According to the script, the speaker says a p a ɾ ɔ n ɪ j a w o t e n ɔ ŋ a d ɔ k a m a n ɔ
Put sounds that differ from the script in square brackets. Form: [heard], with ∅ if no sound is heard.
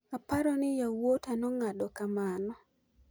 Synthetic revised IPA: a p a ɾ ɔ n ɪ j a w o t [a] n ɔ ŋ a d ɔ k a m a n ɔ